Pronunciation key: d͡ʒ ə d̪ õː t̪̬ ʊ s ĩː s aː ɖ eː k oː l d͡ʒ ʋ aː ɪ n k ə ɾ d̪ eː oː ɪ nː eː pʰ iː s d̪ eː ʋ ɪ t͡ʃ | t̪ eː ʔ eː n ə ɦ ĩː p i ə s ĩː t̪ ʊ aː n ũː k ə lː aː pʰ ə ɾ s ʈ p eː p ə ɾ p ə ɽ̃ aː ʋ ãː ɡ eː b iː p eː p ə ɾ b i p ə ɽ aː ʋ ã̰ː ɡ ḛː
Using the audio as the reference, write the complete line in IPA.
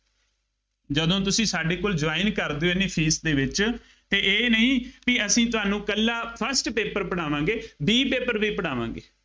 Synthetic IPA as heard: d͡ʒ ə d̪ õː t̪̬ ʊ s ĩː s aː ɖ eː k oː l d͡ʒ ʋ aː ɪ n k ə ɾ d̪ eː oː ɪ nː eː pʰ iː s d̪ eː ʋ ɪ t͡ʃ | t̪ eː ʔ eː n ə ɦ ĩː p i ə s ĩː t̪ ʊ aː n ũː k ə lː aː pʰ ə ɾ s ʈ p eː p ə ɾ p ə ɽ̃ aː ʋ ãː ɡ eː b iː p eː p ə ɾ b iː p ə ɽ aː ʋ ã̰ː ɡ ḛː